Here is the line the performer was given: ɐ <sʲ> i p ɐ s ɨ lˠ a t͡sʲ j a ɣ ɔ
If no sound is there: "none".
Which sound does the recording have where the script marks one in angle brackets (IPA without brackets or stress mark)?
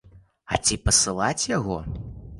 t͡sʲ